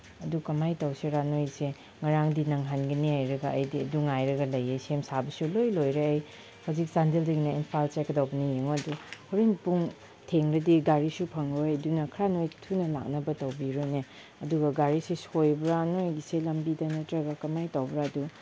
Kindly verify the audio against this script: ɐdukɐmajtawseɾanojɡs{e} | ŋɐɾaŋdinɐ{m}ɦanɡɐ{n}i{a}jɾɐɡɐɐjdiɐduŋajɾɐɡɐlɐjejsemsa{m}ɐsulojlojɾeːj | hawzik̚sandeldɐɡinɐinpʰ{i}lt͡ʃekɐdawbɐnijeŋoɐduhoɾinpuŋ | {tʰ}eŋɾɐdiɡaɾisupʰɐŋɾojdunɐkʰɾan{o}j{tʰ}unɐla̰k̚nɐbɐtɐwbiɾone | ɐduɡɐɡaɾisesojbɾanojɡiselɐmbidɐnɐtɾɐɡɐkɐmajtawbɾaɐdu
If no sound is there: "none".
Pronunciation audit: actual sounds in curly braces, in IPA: e, ŋ, n, a, b, a, tʰ, o, tʰ

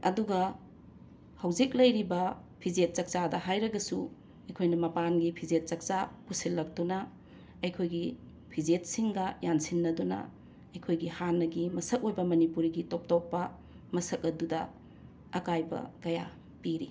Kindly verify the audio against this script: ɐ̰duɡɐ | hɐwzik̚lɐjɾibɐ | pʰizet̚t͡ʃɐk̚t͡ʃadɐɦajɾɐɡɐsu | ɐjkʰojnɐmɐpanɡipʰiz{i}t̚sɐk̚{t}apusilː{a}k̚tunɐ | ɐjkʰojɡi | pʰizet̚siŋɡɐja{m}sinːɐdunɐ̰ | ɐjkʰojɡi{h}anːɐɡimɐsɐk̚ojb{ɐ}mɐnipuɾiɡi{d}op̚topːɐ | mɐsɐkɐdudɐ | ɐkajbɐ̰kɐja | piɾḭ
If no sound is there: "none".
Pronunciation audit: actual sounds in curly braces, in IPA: e, t͡ʃ, ɐ, n, h, ɐ, t

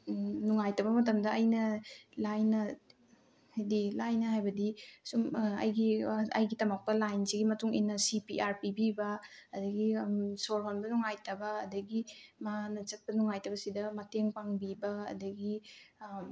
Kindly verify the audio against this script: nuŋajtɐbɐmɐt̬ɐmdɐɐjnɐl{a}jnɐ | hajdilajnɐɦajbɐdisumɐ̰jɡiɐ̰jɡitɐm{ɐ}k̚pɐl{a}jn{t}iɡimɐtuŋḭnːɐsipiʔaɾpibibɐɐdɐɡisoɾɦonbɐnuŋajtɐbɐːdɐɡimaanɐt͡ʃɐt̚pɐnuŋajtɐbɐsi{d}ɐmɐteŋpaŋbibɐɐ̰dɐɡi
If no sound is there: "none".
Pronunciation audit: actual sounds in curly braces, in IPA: a, a, a, s, d

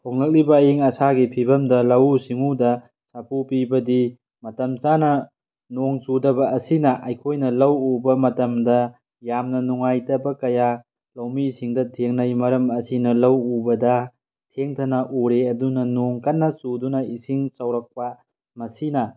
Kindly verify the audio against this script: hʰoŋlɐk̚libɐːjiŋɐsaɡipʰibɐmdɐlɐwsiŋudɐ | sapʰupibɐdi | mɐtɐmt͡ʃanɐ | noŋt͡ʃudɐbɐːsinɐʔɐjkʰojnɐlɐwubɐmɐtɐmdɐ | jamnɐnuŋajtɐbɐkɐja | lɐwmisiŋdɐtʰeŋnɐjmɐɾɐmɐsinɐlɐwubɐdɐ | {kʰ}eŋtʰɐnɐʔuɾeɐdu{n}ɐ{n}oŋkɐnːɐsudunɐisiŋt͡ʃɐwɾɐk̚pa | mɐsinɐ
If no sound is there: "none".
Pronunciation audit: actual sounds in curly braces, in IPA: tʰ, n, n

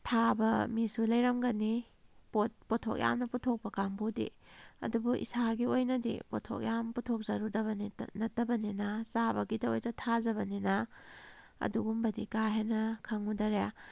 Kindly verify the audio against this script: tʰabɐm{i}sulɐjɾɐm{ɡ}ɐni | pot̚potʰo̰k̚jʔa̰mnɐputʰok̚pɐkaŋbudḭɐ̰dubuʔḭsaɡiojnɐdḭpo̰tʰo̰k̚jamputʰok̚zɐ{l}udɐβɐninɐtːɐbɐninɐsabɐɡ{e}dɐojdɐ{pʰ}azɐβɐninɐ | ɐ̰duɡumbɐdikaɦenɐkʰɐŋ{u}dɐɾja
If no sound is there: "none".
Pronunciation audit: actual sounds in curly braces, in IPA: i, ɡ, ɾ, i, tʰ, u

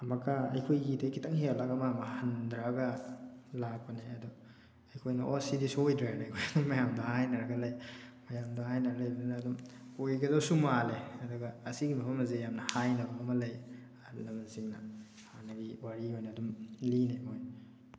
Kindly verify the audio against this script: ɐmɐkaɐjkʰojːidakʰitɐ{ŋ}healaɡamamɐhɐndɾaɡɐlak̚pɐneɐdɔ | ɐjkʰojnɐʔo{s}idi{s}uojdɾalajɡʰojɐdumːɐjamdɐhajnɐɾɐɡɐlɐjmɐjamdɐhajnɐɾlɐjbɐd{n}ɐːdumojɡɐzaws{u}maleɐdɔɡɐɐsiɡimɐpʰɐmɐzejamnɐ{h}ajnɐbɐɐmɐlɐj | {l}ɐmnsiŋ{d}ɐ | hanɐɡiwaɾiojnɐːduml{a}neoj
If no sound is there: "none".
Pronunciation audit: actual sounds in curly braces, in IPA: ŋ, s, s, n, u, h, l, n, i

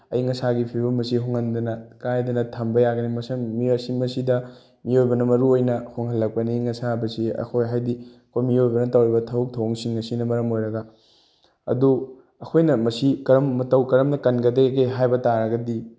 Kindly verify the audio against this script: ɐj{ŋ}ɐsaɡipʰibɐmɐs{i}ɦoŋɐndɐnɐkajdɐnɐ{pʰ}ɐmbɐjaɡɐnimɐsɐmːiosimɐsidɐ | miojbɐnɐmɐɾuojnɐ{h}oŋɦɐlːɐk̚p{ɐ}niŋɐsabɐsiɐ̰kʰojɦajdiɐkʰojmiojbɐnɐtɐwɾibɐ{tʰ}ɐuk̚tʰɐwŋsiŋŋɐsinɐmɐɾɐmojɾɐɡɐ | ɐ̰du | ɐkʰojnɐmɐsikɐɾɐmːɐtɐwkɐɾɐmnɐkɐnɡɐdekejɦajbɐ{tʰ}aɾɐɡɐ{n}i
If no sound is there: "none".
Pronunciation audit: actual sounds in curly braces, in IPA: ŋ, i, tʰ, h, ɐ, tʰ, t, d

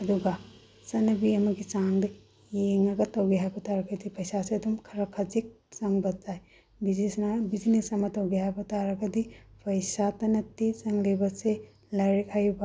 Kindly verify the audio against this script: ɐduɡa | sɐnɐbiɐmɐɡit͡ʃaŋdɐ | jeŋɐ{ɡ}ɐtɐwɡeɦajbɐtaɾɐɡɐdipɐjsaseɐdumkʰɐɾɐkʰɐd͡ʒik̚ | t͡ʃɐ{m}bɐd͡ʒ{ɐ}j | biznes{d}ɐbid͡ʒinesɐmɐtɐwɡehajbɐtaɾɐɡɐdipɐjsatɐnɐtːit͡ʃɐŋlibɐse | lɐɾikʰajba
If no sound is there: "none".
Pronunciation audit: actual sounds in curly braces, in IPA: ɡ, ŋ, a, n

